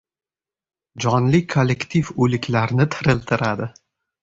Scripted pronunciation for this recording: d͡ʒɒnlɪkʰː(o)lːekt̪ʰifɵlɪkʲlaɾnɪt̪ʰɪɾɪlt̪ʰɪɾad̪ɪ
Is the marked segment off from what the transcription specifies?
no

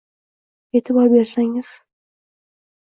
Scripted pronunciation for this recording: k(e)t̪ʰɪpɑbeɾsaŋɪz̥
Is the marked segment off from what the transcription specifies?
no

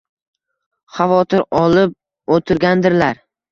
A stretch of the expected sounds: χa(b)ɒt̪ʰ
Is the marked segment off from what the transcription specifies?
yes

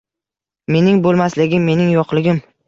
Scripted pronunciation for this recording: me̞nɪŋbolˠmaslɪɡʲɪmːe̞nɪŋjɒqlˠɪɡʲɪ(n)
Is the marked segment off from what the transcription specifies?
yes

